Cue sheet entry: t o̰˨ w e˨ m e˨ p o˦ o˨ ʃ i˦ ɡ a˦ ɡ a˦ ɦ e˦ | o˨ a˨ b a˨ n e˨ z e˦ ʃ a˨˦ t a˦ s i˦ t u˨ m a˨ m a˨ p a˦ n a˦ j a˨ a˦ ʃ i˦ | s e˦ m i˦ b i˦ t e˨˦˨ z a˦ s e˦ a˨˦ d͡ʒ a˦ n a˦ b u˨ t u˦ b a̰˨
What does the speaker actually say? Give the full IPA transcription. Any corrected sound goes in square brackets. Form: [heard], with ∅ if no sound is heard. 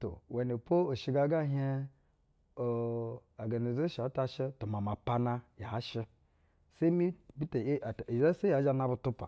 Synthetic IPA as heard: t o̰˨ w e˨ [n] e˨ p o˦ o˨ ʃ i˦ ɡ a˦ ɡ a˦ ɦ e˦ | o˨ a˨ [ɡ] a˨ n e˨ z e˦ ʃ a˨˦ t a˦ [ʃ] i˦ t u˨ m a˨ m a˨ p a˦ n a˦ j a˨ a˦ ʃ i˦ | s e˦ m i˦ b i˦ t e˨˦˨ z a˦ s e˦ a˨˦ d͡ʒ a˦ n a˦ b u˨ t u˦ [p] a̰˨

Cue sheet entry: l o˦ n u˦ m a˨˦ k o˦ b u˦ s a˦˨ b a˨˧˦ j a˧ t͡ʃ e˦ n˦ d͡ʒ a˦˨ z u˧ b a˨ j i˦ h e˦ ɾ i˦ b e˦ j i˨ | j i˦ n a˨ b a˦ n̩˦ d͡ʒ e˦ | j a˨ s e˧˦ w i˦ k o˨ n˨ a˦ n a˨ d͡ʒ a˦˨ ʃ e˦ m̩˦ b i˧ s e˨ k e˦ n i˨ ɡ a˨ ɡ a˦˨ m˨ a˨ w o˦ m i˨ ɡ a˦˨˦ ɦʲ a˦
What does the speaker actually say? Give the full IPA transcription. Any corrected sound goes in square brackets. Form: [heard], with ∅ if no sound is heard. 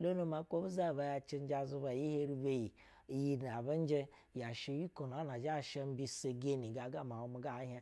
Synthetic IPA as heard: l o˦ n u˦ m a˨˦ k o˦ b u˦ [z] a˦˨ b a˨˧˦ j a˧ t͡ʃ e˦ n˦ d͡ʒ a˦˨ z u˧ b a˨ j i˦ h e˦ ɾ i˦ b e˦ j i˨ | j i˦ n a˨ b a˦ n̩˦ d͡ʒ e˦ | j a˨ [ʃ] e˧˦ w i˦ k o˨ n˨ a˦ n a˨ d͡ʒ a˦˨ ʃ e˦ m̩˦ b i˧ s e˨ [ɡ] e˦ n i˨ ɡ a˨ ɡ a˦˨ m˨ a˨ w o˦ m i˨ ɡ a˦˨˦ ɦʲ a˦

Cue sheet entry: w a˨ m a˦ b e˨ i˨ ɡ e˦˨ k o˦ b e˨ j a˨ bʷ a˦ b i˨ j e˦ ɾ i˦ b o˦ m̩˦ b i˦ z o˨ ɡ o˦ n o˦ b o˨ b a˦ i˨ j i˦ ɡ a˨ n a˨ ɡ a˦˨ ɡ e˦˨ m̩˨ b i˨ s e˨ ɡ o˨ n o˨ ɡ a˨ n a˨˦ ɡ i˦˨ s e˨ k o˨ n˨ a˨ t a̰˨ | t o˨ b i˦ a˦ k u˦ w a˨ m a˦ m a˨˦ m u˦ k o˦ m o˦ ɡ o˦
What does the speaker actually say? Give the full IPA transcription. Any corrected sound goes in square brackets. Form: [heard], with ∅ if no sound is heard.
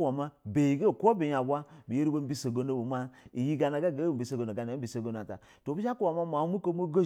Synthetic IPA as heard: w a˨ m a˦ b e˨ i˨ ɡ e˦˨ k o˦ b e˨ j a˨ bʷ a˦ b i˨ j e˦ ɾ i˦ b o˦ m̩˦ b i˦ [s] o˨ ɡ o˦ n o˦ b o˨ [m] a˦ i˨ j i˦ ɡ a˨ n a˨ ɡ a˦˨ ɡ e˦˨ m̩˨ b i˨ s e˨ ɡ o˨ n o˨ ɡ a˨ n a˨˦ [b] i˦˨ s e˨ [ɡ] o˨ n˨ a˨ t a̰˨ | t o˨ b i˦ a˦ k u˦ w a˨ m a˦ m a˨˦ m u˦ k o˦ m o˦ ɡ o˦

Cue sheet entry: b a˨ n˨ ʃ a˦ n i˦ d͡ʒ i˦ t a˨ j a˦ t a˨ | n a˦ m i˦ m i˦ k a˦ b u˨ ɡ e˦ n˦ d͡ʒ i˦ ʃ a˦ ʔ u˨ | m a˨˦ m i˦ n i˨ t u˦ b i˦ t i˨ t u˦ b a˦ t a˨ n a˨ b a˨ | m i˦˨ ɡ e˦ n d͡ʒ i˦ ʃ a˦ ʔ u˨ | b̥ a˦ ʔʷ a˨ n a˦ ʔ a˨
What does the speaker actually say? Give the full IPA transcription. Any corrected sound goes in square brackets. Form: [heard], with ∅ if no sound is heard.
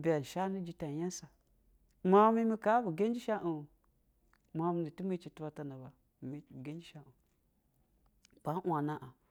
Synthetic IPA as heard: b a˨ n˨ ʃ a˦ n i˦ d͡ʒ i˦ t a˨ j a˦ [s] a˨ | [m] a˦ m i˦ m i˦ k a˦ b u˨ ɡ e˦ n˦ d͡ʒ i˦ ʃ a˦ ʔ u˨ | m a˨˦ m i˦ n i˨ t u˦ [m] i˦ [t͡ʃ] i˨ t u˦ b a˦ t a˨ n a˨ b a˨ | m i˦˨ ɡ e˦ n d͡ʒ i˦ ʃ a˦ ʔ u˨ | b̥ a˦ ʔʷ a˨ n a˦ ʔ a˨

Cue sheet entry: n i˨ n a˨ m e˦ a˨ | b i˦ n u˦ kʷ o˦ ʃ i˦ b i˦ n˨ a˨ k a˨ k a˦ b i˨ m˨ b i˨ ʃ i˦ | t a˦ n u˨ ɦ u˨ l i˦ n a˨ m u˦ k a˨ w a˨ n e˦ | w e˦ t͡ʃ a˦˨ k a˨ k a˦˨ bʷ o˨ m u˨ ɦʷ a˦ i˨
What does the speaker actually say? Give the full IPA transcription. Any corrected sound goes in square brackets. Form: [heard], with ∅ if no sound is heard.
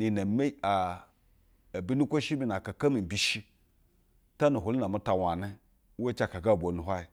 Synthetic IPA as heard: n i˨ n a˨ m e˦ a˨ | b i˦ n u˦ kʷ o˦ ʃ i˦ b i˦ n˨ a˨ k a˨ k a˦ [m] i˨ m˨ b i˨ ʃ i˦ | t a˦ n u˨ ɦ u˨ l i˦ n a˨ m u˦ [t] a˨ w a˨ n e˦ | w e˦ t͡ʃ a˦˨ k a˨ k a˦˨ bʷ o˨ [n] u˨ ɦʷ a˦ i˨

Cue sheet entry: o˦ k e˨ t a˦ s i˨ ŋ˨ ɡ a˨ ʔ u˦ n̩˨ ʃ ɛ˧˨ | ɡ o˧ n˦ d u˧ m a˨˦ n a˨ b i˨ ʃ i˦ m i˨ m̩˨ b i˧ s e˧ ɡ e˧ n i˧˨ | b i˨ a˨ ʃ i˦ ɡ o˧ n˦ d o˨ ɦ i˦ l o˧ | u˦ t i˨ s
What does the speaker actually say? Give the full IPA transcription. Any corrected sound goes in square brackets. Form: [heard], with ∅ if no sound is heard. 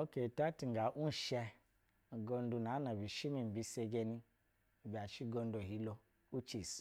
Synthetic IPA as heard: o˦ k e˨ t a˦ [t] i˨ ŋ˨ ɡ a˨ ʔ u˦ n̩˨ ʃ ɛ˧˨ | ɡ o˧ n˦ d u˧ [n] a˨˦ n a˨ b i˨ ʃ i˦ m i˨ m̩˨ b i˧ s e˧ ɡ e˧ n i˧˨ | b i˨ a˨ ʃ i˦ ɡ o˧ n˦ d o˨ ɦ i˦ l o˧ | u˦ [t͡ʃ] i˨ s

